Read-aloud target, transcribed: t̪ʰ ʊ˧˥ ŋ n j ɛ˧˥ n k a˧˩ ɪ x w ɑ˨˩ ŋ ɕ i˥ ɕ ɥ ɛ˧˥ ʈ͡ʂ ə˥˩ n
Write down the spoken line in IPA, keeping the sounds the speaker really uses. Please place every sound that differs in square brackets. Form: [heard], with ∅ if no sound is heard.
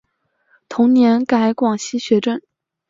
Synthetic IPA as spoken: t̪ʰ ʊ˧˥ ŋ n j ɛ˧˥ n k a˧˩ ɪ [k] w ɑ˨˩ ŋ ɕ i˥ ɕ ɥ ɛ˧˥ ʈ͡ʂ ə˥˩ n